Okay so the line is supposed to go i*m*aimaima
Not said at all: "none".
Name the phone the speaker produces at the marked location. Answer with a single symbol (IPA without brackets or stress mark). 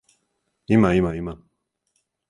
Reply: m